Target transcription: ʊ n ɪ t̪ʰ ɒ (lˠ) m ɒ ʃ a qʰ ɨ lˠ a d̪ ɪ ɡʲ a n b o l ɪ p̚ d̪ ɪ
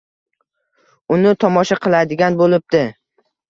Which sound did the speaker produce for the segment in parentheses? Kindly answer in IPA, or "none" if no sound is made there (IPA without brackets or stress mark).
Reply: none